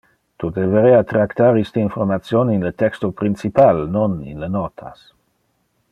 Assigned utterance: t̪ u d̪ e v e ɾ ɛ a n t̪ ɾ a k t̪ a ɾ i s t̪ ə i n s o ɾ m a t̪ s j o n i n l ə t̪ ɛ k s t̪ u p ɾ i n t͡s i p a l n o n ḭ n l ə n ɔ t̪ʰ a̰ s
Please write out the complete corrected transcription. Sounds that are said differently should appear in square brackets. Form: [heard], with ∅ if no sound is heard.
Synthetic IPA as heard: t̪ u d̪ e v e ɾ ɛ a [∅] t̪ ɾ a k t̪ a ɾ i s t̪ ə i n [f] o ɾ m a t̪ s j o n i n l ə t̪ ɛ k s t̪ [o] p ɾ i n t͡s i p a l n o n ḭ n l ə n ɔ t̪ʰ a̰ s